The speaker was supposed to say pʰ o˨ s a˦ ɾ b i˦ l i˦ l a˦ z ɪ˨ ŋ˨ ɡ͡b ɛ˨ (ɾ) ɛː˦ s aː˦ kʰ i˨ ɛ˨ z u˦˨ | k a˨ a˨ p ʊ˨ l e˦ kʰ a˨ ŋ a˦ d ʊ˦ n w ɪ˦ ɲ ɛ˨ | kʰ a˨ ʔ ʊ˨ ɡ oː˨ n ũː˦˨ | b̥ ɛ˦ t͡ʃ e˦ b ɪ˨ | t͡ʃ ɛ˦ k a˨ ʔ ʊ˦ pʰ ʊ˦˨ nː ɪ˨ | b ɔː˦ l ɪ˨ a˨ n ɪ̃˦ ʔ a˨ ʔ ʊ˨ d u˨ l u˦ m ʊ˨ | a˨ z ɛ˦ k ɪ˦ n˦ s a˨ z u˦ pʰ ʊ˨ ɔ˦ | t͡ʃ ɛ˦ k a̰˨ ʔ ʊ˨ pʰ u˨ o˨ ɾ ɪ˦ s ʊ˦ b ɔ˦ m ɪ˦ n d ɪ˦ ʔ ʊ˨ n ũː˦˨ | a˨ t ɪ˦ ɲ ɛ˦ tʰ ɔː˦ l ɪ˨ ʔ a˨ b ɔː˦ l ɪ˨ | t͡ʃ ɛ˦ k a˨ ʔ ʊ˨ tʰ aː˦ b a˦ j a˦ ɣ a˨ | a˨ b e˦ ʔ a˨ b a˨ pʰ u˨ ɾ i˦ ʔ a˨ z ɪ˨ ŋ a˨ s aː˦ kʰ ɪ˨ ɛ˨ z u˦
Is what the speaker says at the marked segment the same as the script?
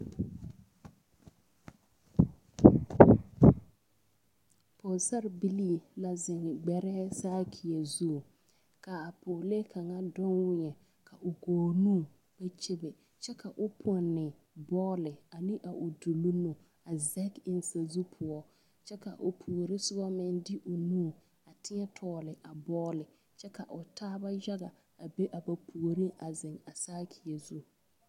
yes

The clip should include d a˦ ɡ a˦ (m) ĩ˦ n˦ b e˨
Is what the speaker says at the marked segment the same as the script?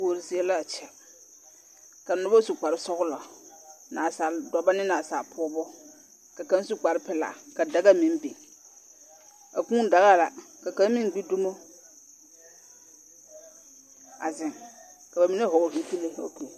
yes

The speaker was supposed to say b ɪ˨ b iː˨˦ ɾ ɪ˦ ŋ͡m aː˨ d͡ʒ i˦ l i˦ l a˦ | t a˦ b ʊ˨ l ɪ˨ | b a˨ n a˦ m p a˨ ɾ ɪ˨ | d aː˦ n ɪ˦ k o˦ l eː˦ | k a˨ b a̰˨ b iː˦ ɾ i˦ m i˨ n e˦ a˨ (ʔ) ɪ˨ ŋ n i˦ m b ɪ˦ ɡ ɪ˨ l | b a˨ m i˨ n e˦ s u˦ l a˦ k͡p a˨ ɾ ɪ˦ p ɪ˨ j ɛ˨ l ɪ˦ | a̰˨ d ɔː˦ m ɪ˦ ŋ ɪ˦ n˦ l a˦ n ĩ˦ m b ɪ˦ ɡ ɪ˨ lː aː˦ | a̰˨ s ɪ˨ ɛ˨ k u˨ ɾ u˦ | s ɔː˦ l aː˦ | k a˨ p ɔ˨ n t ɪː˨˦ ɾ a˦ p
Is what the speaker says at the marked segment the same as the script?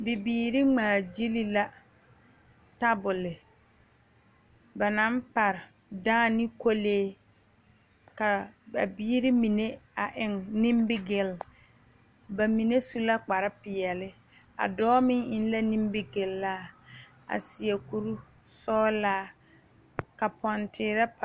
yes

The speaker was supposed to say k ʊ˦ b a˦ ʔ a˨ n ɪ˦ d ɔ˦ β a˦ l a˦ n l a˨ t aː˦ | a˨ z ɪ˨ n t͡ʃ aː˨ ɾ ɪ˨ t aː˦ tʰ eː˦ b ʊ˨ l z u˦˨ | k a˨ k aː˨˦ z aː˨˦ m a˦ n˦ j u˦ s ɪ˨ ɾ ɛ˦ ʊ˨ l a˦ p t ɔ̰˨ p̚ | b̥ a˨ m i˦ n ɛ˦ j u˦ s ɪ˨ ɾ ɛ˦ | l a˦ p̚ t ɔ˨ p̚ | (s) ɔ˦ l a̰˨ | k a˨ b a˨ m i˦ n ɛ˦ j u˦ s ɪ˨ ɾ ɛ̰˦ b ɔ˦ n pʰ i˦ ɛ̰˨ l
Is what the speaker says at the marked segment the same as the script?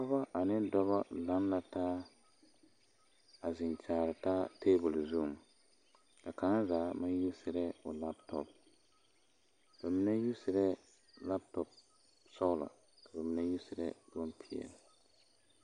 yes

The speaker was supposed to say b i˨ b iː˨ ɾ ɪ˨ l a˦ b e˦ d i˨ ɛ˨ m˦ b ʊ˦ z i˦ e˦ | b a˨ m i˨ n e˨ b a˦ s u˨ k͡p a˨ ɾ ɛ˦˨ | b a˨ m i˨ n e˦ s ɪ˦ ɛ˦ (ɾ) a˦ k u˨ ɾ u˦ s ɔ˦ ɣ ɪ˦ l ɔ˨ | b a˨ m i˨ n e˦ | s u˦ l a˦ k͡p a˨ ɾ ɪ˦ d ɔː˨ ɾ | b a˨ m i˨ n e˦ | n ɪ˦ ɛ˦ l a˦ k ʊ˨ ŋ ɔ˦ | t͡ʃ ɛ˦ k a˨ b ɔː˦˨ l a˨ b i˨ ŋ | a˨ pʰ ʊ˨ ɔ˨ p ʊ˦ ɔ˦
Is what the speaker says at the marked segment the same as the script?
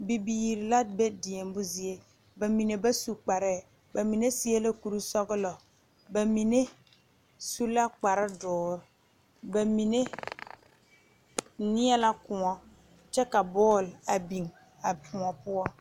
no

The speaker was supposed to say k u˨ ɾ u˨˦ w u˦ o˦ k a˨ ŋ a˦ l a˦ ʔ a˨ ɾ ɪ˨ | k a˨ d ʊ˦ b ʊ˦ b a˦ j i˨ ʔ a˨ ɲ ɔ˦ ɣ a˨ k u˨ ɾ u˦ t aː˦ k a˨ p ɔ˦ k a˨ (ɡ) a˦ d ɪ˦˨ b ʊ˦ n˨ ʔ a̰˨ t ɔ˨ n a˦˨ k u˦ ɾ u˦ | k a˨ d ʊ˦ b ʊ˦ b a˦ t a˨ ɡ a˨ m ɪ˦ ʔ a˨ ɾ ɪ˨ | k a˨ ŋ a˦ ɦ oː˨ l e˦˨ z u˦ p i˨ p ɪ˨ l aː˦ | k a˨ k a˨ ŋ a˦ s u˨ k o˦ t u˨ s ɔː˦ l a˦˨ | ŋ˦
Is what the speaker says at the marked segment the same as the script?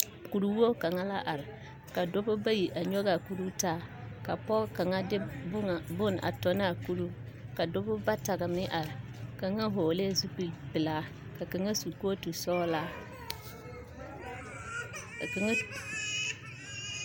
no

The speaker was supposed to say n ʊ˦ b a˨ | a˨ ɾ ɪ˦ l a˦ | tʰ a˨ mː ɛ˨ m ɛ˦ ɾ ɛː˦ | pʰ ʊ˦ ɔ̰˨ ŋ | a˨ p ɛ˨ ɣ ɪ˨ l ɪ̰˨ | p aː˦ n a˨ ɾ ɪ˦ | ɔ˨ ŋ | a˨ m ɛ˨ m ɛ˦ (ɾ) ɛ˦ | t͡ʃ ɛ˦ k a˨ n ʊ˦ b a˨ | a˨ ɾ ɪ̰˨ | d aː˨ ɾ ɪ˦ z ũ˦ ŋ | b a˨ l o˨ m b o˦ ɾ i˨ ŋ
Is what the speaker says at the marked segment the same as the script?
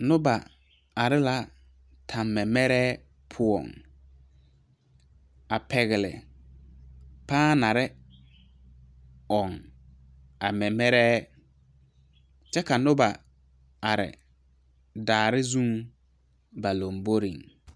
yes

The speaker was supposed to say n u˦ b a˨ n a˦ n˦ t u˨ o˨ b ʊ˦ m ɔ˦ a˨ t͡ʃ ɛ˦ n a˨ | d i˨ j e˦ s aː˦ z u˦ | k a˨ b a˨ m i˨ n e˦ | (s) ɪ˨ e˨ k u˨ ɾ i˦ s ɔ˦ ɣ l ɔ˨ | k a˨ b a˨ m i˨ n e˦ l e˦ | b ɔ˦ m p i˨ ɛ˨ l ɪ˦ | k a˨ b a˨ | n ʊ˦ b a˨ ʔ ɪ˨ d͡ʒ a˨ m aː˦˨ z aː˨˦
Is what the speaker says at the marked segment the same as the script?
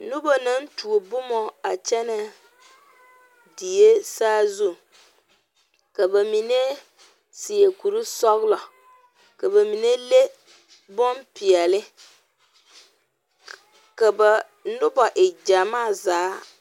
yes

